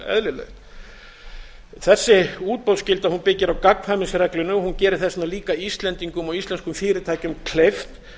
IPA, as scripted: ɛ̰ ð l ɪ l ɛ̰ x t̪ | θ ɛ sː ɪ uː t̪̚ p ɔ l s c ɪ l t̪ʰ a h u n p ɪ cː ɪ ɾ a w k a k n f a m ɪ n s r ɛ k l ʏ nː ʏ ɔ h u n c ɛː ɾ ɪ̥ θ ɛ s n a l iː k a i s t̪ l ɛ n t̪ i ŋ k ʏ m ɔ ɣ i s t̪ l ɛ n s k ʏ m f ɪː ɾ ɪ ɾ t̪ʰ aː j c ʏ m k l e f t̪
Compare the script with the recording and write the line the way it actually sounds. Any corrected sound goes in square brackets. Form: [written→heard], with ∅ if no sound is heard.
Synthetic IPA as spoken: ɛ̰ ð l ɪ l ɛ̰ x t̪ | θ ɛ sː ɪ uː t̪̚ p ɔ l s c ɪ l [t̪ʰ→t̪] a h u n p ɪ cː ɪ ɾ a w k a k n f a m ɪ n s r ɛ k l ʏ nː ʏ ɔ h u n c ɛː ɾ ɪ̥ θ ɛ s n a l iː k a i s t̪ l ɛ n t̪ i ŋ k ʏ m ɔ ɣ i s t̪ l ɛ n s k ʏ m f ɪː ɾ ɪ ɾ t̪ʰ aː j c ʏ m [k→kʰ] l e f t̪